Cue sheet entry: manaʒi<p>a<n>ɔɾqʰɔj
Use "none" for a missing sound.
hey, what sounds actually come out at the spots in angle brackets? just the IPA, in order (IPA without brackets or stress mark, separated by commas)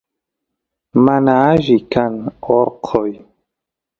k, n